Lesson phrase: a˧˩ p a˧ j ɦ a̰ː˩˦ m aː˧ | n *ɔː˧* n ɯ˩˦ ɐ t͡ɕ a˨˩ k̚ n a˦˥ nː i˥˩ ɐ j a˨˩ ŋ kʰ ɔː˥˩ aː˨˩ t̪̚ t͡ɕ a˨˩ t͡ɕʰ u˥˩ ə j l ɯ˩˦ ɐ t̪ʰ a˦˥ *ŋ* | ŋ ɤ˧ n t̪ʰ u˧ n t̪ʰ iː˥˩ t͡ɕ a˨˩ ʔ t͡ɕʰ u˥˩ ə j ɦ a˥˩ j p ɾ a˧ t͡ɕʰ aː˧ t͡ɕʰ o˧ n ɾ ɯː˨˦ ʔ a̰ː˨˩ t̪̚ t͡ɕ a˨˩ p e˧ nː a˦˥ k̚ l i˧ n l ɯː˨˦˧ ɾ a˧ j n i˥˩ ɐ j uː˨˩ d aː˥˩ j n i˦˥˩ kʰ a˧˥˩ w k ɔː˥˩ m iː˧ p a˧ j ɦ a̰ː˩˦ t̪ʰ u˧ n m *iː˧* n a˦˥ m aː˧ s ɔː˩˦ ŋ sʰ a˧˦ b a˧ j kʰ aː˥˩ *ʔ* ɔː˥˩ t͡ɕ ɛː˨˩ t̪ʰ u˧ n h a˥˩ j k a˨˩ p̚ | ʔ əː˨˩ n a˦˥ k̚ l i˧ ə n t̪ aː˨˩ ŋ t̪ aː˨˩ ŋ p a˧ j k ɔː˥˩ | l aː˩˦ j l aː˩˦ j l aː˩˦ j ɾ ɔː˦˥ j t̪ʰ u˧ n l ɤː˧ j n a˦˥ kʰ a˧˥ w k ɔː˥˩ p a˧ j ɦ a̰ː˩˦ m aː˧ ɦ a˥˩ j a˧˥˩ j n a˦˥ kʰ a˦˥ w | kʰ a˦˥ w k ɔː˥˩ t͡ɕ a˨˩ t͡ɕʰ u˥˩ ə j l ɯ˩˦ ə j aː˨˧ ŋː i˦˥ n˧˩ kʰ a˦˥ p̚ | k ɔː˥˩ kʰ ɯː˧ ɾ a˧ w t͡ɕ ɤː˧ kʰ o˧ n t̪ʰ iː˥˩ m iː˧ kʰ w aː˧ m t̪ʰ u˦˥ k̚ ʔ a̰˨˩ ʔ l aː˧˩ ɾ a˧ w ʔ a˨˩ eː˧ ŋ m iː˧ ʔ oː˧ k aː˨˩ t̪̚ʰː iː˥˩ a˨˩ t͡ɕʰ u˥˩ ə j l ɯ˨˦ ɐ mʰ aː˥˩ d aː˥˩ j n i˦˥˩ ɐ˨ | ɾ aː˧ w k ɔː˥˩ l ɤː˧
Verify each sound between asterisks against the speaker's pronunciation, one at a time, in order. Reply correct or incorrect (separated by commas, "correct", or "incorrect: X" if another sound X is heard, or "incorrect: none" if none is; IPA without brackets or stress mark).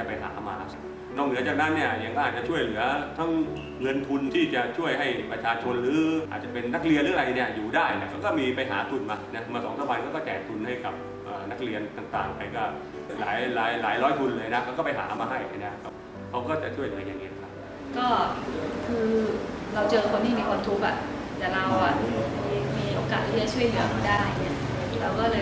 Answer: incorrect: ɔː˥˩, correct, incorrect: aː˧, incorrect: k